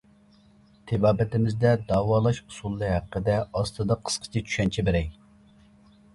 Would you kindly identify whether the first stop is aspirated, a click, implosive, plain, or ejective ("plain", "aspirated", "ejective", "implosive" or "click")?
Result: aspirated